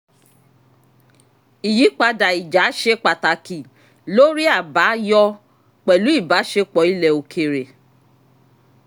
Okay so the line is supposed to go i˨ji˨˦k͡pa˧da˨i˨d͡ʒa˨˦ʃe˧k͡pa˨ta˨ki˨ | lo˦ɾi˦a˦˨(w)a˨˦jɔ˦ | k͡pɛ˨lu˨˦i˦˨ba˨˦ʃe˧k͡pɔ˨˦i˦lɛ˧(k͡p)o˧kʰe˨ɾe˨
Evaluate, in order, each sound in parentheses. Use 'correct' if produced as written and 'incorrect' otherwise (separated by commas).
incorrect, incorrect